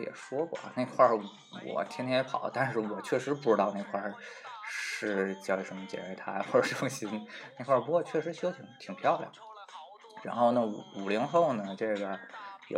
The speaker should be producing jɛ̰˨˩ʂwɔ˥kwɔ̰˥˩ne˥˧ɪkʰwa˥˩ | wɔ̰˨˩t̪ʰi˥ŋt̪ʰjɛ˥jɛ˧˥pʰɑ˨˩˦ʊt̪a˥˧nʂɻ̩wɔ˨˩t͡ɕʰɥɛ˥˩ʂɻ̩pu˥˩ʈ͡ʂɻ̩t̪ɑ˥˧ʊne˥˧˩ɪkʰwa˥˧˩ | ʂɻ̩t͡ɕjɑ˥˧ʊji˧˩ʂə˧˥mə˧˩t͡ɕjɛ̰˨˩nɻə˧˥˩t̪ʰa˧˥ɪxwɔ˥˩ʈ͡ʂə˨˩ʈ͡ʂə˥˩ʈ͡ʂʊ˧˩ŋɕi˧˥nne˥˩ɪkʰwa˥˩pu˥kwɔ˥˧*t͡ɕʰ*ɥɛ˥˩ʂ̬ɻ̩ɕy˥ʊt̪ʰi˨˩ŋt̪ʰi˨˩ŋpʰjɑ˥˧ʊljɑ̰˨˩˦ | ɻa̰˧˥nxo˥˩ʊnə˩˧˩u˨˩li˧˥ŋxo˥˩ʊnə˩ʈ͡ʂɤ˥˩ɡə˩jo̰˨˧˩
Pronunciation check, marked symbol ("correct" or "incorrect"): correct